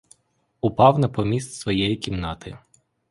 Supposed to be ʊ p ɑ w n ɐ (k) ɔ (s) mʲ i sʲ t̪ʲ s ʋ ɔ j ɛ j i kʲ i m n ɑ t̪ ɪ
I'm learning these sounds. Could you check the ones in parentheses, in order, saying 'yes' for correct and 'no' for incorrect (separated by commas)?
no, no